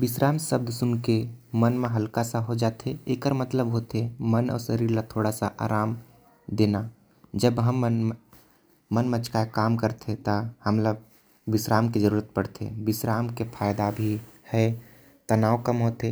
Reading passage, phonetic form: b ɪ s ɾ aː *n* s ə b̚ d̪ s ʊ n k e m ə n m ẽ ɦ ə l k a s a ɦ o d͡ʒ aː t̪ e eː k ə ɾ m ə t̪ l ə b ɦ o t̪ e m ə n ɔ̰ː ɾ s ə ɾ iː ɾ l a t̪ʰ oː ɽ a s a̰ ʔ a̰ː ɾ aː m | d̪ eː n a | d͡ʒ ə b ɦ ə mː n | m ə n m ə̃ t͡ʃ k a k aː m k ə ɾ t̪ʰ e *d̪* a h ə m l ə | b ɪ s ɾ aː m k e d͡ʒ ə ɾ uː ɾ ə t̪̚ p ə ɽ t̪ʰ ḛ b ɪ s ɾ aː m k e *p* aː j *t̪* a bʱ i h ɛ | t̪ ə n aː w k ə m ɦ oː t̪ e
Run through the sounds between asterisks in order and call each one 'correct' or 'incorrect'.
incorrect, incorrect, incorrect, incorrect

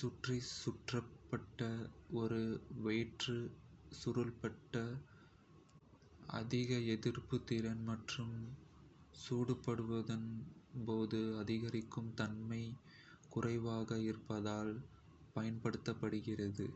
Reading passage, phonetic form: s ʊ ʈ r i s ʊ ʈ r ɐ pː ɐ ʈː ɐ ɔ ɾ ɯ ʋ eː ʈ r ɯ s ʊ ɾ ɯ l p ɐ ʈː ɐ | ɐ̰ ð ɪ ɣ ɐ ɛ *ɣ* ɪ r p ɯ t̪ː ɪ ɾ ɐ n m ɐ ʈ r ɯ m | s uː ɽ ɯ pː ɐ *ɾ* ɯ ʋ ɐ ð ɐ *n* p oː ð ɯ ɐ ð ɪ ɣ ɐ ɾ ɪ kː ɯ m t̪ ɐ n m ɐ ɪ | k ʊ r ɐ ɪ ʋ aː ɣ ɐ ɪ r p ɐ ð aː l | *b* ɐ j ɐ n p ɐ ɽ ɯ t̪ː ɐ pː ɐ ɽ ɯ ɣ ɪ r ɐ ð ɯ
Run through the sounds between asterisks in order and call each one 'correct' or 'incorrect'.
incorrect, incorrect, correct, incorrect

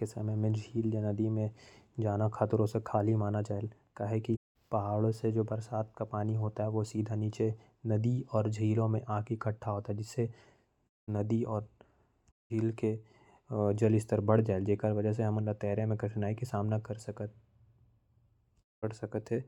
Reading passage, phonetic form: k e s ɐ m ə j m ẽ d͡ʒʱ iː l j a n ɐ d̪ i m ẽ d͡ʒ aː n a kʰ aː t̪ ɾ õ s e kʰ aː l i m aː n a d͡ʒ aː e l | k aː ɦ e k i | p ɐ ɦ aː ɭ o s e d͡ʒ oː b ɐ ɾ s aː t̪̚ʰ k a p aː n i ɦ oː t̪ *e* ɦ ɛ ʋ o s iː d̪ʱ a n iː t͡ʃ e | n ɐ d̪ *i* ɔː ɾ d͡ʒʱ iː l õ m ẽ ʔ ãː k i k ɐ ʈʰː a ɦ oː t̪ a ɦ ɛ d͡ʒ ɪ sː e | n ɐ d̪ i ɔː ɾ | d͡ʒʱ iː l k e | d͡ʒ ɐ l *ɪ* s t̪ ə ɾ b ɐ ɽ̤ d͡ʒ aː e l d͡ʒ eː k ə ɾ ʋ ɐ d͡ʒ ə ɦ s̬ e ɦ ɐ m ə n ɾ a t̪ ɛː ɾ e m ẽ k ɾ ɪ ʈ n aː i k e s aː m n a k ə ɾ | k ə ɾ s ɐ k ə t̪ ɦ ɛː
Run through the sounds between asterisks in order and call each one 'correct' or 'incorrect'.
incorrect, correct, correct

